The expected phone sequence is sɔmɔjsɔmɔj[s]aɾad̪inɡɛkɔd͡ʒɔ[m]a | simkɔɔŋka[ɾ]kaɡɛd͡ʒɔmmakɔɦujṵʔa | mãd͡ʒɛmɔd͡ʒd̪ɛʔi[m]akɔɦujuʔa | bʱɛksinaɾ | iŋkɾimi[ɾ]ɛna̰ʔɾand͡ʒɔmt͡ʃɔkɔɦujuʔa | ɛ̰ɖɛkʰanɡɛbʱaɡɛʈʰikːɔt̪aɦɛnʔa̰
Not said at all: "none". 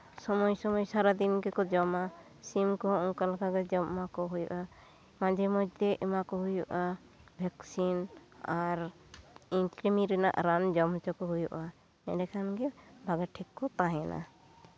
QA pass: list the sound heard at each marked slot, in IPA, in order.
s, m, l, m, ɾ

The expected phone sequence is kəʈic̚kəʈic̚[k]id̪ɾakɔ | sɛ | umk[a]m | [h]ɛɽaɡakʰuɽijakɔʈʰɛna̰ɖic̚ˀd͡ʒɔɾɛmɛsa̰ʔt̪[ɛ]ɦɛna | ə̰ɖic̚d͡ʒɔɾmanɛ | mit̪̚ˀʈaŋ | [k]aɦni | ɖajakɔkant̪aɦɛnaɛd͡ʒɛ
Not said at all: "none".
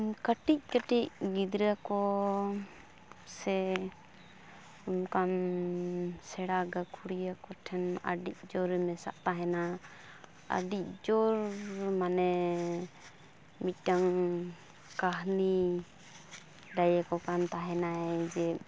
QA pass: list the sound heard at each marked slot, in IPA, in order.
ɡ, a, s, a, k

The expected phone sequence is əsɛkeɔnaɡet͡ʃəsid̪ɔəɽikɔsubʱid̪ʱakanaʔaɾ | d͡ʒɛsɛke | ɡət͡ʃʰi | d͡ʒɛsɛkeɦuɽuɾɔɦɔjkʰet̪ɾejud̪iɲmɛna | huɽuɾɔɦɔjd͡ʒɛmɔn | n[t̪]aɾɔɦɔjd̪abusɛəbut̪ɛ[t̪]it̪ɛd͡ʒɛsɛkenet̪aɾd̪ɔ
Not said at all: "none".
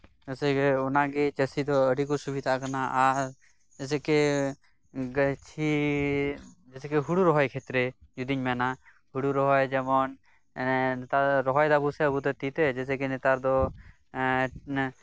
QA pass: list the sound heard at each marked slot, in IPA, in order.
t̪, t̪

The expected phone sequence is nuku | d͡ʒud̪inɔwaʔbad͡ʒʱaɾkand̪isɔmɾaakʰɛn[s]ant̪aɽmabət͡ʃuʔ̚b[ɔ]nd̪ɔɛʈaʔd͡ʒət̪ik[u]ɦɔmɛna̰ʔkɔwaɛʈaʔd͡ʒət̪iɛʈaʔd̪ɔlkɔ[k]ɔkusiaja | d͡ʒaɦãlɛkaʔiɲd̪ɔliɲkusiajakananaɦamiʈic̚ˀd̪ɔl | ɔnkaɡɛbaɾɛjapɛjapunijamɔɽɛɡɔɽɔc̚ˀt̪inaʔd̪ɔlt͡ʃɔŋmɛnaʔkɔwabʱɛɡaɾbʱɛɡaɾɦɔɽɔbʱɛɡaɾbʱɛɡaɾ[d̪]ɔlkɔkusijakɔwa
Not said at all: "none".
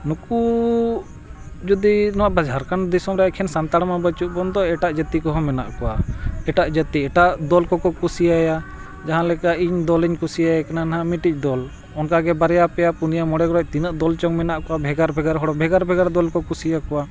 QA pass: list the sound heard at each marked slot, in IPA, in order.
s, ɔ, ɔ, k, d̪

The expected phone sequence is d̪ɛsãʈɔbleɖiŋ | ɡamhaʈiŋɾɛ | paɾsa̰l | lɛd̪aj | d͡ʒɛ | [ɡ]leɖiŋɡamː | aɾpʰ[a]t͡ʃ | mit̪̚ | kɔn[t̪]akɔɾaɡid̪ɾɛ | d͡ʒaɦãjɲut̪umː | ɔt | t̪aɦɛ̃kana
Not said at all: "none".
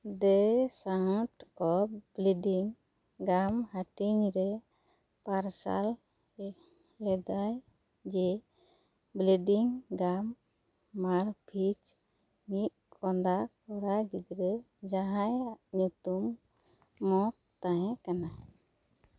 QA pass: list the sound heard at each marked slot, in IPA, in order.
b, i, d̪

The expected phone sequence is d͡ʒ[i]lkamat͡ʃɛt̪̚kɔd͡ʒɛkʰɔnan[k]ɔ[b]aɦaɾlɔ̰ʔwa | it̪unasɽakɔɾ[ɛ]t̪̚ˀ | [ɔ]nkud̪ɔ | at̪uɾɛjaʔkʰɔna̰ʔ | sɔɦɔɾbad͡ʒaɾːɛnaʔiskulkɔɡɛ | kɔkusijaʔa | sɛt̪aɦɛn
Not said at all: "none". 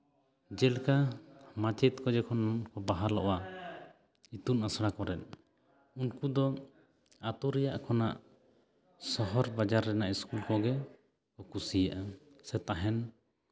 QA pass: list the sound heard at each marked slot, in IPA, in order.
ɛ, k, b, ɛ, u

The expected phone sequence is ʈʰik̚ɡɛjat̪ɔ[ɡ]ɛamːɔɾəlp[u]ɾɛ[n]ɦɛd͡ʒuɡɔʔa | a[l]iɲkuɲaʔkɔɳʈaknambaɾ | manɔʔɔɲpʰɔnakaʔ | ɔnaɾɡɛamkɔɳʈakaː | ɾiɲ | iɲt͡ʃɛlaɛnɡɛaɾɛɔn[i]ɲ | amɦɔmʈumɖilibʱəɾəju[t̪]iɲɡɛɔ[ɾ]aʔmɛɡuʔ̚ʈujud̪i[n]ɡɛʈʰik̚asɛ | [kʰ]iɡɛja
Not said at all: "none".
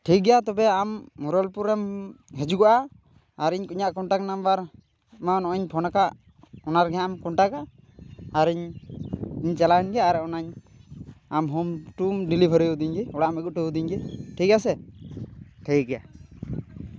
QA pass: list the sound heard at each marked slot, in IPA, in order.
b, u, m, ɾ, a, d̪, ɽ, ɲ, ʈʰ

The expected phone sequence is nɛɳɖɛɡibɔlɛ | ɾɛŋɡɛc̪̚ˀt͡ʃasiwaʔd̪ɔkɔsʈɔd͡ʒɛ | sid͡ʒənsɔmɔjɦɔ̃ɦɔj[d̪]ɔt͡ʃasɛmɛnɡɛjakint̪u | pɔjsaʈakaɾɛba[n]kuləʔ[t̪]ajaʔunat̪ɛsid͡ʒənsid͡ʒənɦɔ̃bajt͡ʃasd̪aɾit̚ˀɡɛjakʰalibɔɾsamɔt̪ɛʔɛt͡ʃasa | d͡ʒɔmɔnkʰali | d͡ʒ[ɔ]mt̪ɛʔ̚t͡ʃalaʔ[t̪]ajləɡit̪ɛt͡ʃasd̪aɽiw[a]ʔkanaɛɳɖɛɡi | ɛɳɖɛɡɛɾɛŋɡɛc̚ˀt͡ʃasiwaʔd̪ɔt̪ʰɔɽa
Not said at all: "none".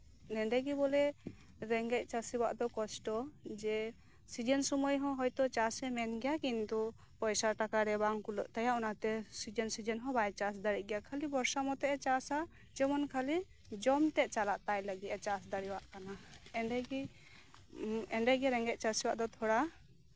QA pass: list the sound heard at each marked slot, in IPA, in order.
t̪, ŋ, t̪, ɔ, t̪, a

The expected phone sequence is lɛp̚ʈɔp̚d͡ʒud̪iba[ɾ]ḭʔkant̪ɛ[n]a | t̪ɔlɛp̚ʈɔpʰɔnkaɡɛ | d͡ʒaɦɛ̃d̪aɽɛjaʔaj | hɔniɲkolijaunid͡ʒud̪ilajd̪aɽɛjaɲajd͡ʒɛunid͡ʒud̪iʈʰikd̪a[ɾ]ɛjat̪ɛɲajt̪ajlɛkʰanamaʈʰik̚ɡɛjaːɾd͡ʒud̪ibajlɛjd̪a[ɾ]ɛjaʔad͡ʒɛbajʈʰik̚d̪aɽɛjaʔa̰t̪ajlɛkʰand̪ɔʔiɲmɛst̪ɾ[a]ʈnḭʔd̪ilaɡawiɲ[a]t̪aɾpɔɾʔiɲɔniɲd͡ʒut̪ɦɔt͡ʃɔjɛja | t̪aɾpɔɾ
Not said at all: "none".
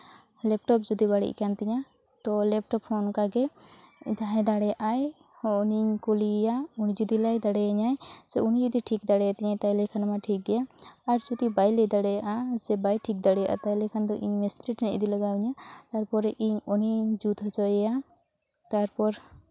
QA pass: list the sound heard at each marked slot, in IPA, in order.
ɽ, ɲ, ɽ, ɽ, i, a

